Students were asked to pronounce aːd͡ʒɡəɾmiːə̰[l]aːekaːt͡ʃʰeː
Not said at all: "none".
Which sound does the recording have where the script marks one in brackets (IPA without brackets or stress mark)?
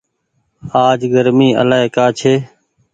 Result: l